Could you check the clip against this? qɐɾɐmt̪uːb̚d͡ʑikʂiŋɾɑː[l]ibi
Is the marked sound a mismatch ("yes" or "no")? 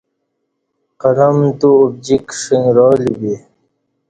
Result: no